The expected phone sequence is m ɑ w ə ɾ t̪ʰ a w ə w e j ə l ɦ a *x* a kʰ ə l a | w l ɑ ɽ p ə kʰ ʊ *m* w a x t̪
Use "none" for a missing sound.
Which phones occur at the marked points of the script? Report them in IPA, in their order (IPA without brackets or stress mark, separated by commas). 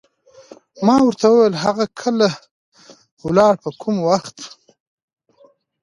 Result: ɣ, m